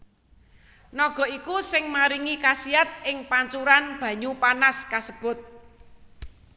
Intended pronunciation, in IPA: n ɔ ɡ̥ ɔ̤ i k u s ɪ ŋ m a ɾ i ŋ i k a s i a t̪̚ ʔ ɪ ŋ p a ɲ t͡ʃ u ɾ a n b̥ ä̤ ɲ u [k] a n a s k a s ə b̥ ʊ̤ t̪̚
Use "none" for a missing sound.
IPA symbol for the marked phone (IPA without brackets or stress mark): p